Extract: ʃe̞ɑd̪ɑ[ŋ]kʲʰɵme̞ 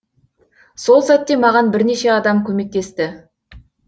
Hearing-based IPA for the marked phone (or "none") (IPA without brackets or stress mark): m